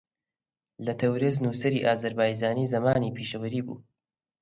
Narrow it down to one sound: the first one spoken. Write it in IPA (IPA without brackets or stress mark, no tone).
l